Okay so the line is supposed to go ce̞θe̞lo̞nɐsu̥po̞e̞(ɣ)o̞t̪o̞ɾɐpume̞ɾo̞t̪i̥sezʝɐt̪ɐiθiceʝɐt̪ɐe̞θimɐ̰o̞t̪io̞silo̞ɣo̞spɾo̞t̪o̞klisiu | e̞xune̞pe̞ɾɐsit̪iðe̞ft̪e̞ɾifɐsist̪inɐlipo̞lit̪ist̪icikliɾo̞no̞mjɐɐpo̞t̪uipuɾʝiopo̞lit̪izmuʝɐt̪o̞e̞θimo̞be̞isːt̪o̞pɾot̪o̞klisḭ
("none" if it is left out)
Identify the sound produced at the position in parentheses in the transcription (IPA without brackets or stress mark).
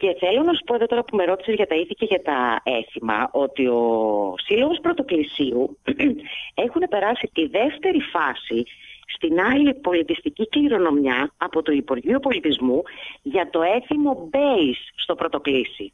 ð